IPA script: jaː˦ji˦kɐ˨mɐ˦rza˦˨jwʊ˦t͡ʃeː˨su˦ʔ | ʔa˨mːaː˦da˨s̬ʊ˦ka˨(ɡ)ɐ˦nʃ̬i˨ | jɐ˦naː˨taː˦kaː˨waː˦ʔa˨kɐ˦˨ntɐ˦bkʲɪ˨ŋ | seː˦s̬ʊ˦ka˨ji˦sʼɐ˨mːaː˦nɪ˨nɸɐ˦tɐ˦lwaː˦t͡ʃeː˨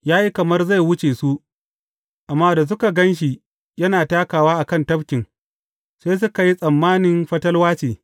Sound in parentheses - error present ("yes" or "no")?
no